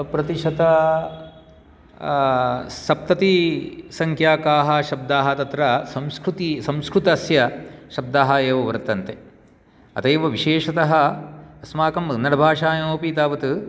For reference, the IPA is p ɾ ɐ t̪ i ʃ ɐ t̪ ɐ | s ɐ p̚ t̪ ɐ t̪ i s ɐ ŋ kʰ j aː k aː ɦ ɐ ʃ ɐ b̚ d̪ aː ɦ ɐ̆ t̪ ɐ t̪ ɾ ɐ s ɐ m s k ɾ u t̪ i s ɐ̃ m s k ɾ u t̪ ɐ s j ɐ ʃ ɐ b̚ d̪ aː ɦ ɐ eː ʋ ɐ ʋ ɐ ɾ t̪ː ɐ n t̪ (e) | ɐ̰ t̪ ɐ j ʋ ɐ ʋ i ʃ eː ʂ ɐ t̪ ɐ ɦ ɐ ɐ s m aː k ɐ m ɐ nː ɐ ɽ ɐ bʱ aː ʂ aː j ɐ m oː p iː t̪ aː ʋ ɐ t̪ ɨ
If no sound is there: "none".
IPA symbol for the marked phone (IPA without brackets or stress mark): e